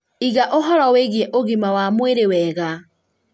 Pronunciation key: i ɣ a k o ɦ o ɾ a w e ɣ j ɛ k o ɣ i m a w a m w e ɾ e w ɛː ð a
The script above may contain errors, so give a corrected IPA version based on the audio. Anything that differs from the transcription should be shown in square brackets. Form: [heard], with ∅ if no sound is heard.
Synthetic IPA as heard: i ɣ a [ʔ] o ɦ [ɔ] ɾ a w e ɣ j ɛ [ʔ] o ɣ i m a w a m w e ɾ e w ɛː [ɣ] a

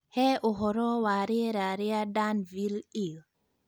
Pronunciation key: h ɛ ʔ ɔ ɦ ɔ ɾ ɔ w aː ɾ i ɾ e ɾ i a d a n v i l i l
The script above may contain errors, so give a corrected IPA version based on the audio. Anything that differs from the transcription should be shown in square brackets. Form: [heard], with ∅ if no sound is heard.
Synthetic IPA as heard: h ɛ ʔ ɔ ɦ ɔ ɾ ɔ w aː ɾ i ɾ [a] ɾ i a d a n v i l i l

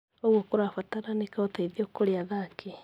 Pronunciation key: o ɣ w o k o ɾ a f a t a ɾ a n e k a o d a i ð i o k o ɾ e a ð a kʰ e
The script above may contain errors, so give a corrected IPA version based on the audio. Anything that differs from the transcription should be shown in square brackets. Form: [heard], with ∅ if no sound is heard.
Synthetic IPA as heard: o ɣ w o k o ɾ a f a t a ɾ a n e k a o [t] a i ð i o k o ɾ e a ð a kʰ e

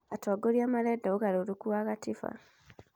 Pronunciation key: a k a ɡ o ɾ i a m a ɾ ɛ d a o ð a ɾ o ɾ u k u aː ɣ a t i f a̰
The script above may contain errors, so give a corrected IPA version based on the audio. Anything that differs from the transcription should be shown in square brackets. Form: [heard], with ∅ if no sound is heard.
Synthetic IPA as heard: a [t] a ɡ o ɾ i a m a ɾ ɛ d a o [ɣ] a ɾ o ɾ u k u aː ɣ a t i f a̰

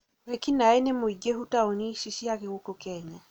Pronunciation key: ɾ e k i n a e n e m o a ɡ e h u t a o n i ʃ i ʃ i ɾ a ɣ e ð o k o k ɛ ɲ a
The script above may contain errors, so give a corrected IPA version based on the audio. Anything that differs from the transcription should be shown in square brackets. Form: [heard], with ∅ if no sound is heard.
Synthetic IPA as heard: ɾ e k i n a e n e m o [i] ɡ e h u t a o n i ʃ i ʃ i [∅] a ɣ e [ɣ] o k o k ɛ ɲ a

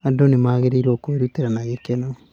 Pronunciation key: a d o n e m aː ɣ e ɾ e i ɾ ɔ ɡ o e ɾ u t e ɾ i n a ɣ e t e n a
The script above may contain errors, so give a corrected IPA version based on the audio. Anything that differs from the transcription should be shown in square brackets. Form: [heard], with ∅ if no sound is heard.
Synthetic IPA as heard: a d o n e m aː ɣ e ɾ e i ɾ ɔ [k] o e ɾ u t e ɾ [a] n a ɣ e [k] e n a

